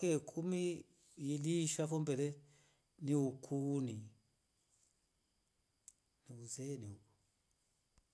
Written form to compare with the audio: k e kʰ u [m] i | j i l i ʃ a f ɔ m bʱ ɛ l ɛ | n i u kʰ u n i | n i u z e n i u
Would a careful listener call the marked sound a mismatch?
no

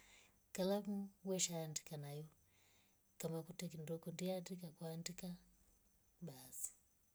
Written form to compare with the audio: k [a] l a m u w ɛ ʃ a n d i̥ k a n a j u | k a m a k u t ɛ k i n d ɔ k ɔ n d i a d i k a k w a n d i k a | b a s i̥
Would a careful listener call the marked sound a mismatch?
no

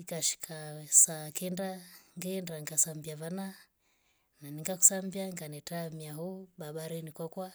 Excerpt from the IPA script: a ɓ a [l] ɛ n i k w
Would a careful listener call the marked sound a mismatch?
yes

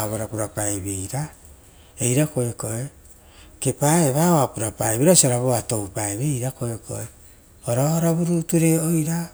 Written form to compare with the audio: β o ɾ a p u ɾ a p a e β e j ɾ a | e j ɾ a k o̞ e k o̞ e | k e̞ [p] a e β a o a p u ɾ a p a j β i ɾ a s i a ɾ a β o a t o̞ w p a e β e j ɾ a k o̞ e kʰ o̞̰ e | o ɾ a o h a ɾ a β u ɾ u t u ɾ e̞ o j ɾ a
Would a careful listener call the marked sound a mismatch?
no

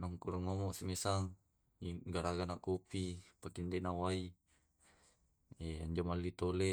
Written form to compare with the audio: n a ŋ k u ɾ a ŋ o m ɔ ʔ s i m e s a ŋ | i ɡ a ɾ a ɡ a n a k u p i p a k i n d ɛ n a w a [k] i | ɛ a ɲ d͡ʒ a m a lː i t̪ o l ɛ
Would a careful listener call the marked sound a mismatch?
yes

